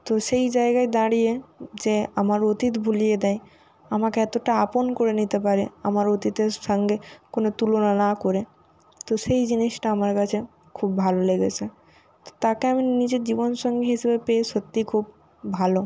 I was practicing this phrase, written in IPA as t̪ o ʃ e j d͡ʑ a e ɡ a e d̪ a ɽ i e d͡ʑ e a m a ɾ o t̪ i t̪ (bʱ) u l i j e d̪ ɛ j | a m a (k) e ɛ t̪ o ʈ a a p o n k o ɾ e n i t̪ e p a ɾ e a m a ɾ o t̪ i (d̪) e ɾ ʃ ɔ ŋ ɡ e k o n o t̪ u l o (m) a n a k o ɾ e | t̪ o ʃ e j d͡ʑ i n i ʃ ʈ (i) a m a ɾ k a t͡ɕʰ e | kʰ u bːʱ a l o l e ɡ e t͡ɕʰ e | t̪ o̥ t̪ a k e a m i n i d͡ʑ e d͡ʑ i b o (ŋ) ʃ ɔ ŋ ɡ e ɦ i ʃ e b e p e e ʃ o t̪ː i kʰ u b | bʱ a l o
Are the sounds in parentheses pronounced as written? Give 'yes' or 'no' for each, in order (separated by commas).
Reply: yes, yes, no, no, no, no